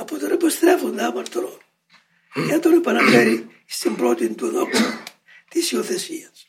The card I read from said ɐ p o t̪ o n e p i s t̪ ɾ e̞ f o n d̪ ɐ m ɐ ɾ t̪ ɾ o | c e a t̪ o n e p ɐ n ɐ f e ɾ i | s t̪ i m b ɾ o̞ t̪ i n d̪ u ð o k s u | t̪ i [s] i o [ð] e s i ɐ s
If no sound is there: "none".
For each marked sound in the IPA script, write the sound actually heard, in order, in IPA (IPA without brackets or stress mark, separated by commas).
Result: s, θ